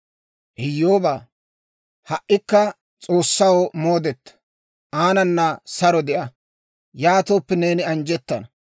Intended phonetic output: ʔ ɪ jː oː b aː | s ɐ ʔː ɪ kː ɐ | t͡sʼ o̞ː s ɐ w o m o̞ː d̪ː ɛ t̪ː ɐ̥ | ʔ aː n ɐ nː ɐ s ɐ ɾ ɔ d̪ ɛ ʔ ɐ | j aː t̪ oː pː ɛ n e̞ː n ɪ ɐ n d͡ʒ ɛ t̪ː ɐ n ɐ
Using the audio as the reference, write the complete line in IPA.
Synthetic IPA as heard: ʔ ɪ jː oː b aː | h ɐ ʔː ɪ kː ɐ | t͡sʼ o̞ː sː ɐ w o m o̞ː d̪ ɛ t̪ː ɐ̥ | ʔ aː n ɐ nː ɐ s ɐ ɾ ɔ d̪ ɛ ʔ ɐ | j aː t̪ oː pː ɛ n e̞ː n ɪ ɐ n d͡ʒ ɛ t̪ː ɐ n ɐ